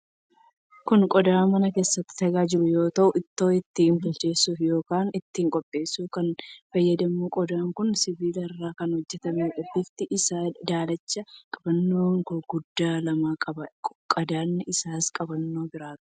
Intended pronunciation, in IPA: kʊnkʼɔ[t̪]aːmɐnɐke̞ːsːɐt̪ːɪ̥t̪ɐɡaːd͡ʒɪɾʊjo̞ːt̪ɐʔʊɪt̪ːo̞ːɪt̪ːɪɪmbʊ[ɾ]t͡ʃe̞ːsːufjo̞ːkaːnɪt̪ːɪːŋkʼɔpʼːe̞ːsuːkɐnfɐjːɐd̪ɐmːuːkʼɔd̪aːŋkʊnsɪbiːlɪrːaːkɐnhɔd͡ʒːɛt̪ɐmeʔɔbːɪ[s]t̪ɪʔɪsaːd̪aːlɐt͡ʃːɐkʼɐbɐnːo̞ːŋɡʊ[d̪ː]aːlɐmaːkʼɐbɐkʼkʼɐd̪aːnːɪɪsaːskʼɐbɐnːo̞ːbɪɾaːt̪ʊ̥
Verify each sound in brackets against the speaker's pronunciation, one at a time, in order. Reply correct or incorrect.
incorrect, incorrect, incorrect, correct

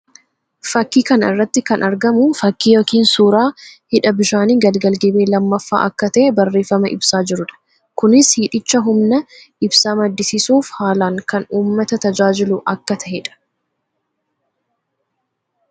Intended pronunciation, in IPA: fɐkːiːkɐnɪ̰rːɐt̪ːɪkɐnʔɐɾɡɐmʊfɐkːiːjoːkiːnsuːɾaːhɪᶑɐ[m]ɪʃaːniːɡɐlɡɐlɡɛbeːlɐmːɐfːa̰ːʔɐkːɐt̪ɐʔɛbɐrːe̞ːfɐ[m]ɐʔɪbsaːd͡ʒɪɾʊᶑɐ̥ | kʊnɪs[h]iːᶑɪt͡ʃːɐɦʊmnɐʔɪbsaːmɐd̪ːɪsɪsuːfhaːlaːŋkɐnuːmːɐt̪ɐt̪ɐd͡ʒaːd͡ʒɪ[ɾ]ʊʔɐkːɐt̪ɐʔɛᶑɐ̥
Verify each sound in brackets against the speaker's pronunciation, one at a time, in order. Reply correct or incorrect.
incorrect, correct, correct, incorrect

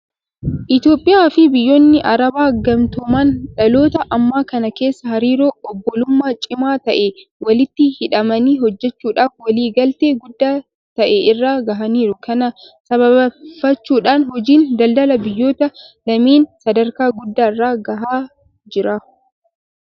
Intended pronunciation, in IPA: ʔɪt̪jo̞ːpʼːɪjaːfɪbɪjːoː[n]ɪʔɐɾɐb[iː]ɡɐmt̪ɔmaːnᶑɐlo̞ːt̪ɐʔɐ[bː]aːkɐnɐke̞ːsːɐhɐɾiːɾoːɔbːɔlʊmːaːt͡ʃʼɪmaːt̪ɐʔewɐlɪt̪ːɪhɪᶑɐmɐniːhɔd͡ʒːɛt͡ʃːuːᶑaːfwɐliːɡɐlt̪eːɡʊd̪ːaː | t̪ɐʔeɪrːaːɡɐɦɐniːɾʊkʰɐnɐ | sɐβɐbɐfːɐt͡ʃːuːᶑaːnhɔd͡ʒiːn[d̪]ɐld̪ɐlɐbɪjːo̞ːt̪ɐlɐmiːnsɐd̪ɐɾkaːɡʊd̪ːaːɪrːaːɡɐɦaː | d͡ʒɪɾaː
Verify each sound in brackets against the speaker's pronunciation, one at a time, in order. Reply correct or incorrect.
incorrect, incorrect, incorrect, correct

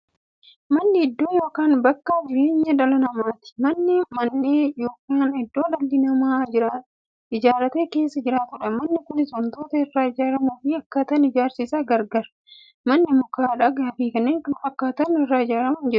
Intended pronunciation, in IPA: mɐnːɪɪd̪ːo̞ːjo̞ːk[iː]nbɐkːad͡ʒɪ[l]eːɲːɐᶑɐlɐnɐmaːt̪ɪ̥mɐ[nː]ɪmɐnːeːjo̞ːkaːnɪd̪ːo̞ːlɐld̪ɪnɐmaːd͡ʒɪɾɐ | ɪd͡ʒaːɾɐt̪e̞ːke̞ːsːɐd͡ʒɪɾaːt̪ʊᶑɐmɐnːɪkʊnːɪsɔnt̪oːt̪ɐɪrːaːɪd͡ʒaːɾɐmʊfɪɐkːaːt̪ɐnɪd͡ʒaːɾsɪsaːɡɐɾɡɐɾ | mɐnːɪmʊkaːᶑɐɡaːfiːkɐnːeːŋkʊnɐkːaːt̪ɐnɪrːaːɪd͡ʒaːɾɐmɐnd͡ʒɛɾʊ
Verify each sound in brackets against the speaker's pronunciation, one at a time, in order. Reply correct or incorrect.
incorrect, incorrect, correct

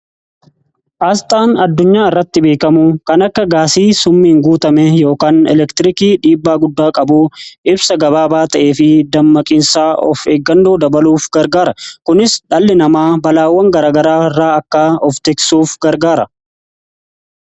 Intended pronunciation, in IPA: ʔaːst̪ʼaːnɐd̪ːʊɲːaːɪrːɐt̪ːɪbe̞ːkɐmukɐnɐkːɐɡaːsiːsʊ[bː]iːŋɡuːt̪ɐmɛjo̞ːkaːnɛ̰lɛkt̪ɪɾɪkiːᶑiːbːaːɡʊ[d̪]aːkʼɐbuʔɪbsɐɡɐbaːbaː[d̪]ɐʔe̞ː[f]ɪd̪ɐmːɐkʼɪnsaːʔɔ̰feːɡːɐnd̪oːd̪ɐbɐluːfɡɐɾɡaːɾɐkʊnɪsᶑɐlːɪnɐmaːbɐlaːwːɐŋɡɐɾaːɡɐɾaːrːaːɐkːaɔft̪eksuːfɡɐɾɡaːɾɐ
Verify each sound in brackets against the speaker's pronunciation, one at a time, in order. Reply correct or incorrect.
incorrect, incorrect, incorrect, correct

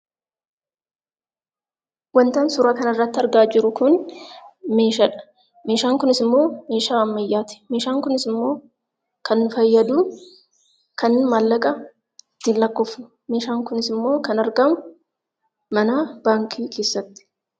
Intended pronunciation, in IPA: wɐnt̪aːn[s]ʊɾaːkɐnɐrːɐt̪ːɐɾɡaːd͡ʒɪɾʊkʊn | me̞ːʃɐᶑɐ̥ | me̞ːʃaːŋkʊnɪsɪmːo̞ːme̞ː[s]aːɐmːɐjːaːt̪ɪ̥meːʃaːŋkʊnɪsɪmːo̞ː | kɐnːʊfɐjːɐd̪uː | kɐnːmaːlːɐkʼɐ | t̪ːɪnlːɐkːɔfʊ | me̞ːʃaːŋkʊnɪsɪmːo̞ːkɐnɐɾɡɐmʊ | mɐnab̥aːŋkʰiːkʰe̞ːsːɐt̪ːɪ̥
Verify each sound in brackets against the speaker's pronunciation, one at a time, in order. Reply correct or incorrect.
correct, incorrect

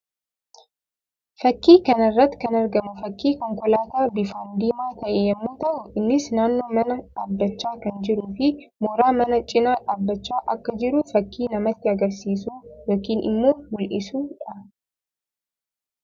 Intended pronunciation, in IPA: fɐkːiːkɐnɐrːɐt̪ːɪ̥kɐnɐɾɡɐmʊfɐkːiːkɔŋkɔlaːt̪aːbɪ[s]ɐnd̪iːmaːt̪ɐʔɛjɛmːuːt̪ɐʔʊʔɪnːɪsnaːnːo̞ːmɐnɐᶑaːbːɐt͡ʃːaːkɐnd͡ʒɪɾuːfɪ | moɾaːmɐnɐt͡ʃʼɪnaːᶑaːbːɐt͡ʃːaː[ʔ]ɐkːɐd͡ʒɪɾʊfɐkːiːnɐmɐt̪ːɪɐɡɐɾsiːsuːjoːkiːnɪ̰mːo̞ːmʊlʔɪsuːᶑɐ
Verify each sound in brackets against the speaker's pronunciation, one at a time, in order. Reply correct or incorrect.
incorrect, correct

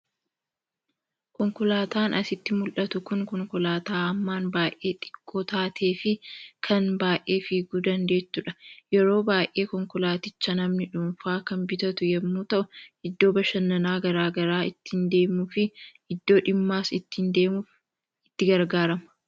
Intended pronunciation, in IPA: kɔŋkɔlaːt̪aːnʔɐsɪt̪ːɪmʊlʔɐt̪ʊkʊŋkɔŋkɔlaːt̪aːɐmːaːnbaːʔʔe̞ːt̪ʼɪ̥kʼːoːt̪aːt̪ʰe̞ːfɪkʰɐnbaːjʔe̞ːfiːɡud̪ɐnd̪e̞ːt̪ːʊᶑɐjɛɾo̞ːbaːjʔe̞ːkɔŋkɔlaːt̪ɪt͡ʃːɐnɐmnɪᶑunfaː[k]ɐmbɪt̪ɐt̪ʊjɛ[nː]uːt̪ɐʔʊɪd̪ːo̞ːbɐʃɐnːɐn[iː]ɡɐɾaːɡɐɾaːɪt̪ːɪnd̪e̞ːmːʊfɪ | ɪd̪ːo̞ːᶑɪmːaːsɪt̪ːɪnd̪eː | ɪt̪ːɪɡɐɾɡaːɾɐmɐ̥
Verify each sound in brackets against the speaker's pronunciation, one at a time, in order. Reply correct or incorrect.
correct, incorrect, incorrect

